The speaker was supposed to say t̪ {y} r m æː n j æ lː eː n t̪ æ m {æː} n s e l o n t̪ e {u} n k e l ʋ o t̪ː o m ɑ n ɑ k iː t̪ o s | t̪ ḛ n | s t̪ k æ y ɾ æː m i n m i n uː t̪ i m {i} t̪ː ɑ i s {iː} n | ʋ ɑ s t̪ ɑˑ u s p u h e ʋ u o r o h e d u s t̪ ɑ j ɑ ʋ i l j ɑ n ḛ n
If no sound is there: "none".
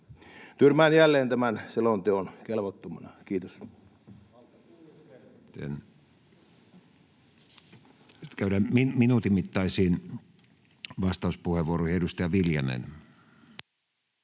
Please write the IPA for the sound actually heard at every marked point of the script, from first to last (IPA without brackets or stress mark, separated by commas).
y, æ, o, i, iː